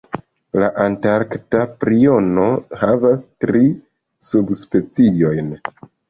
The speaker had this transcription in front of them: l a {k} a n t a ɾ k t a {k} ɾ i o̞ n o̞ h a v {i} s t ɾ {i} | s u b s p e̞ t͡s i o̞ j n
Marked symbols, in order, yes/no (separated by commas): no, no, no, yes